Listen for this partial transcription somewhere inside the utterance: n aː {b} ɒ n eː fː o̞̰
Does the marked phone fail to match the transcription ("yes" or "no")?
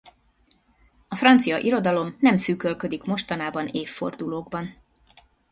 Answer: no